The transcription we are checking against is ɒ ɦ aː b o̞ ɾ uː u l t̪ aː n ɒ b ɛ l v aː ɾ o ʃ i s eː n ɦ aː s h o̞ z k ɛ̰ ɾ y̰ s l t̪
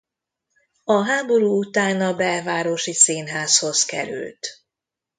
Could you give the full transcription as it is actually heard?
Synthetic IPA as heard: ɒ ɦ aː b o̞ ɾ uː u t̪ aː n ɒ b ɛ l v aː ɾ o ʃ i s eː n ɦ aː s h o̞ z k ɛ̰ ɾ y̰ l t̪

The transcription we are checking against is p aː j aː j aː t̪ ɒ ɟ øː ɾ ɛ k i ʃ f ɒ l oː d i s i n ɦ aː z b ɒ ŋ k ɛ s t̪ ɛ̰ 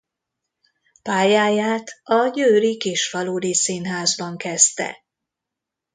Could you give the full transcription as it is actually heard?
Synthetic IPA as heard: p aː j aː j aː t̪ ɒ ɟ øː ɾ i k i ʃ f ɒ l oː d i s i n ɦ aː z b ɒ ŋ k ɛ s t̪ ɛ̰

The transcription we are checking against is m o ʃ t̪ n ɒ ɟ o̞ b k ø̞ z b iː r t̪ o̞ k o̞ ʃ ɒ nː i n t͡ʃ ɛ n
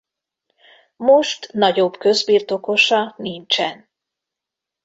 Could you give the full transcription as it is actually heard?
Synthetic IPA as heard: m o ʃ t̪ n ɒ ɟ o̞ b k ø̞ z b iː r t̪ o̞ k o̞ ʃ ɒ n i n t͡ʃ ɛ n

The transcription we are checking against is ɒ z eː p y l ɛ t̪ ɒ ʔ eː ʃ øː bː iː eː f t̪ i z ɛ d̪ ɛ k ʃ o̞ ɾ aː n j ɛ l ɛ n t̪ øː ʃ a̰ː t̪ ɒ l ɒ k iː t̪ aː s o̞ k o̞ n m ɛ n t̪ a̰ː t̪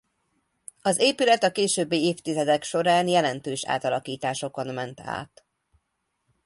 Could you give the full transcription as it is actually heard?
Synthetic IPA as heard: ɒ z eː p y l ɛ t̪ ɒ k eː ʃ øː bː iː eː f t̪ i z ɛ d̪ ɛ k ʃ o̞ ɾ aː n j ɛ l ɛ n t̪ øː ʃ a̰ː t̪ ɒ l ɒ k iː t̪ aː ʃ o̞ k o̞ n m ɛ n t̪ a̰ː t̪

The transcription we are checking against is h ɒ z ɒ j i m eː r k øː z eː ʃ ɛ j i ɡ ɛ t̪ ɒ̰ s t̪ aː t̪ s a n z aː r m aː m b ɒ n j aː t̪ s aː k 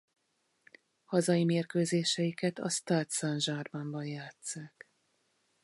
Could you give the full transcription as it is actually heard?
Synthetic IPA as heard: h ɒ z ɒ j i m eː r k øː z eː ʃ ɛ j i k ɛ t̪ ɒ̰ s t̪ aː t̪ s a n ʒ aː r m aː m b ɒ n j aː t̪ s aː k

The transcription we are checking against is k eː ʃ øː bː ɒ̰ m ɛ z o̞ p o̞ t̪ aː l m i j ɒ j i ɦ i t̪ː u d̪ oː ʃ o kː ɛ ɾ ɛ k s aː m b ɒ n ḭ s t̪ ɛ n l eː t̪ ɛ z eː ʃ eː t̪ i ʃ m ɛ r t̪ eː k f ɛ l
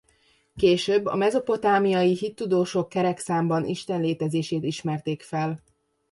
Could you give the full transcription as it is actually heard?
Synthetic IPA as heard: k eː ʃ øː bː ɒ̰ m ɛ z o̞ p o̞ t̪ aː m i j ɒ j i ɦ i t̪ː u d̪ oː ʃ o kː ɛ ɾ ɛ k s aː m b ɒ n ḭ ʃ t̪ ɛ n l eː t̪ ɛ z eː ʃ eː t̪ i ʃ m ɛ r t̪ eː k f ɛ l

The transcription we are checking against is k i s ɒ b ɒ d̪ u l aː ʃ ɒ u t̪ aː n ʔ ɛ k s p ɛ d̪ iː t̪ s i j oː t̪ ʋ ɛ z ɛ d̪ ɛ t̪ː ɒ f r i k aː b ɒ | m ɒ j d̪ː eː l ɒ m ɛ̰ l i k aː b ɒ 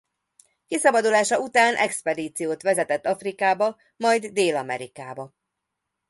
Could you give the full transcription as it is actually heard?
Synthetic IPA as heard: k i s ɒ b ɒ d̪ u l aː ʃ ɒ u t̪ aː n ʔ ɛ k s p ɛ d̪ iː t̪ s i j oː t̪ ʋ ɛ z ɛ t̪ ɛ t̪ː ɒ f r i k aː b ɒ | m ɒ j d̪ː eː l ɒ m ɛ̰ ɾ i k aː b ɒ

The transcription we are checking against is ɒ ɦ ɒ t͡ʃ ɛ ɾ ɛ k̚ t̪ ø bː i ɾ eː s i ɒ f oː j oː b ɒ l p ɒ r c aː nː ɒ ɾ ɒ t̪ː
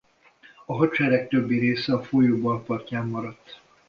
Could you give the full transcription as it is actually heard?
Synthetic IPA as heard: ɒ ɦ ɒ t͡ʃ ɛ ɾ ɛ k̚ t̪ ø bː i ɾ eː s ɛ ɒ f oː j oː b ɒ l p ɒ r c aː mː ɒ ɾ ɒ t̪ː

